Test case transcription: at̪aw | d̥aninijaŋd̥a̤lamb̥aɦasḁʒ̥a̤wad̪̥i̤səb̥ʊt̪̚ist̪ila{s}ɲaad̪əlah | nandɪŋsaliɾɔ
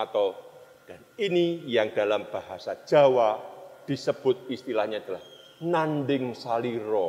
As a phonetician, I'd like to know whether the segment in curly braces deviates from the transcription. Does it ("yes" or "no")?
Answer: yes